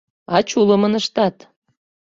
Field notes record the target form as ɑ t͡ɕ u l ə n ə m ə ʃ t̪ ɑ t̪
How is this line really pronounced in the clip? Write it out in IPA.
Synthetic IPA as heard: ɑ t͡ɕ u l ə m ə n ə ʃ t̪ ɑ t̪